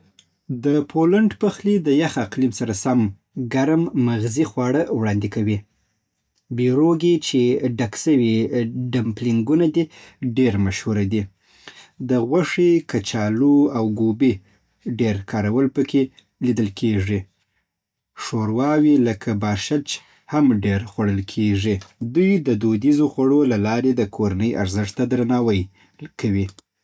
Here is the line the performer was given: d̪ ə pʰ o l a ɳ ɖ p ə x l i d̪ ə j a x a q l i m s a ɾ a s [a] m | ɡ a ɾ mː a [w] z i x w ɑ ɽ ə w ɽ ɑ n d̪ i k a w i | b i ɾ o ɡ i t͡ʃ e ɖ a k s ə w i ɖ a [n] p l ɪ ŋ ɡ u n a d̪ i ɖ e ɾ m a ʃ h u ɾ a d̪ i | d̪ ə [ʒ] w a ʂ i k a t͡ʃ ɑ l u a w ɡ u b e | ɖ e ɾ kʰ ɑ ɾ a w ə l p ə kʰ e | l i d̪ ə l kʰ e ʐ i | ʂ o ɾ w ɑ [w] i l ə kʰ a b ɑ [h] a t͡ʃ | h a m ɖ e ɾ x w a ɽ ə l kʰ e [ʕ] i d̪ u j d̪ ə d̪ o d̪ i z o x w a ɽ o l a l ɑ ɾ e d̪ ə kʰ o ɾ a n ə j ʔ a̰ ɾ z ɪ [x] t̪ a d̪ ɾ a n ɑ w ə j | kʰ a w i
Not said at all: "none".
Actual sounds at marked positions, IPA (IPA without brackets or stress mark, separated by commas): a, ɣ, m, ɣ, w, ʃ, ʐ, ʂ